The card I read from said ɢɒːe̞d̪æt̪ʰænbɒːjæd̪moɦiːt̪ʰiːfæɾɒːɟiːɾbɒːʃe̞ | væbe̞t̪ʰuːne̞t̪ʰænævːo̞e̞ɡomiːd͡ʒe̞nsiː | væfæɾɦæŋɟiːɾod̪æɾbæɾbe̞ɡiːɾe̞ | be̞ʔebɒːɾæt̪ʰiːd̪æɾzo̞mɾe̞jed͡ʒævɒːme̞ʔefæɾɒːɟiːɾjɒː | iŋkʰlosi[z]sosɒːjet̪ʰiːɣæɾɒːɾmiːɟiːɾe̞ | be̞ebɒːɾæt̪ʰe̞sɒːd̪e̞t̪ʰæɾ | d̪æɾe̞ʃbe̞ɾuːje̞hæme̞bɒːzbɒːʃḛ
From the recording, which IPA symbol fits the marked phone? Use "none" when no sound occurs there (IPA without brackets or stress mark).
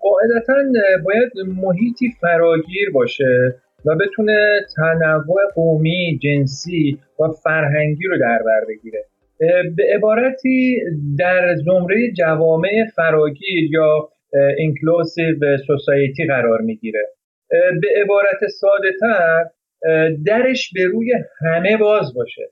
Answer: v